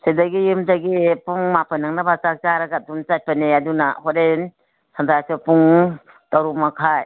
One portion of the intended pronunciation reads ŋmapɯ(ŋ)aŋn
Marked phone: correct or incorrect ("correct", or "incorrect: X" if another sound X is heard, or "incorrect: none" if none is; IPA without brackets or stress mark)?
incorrect: n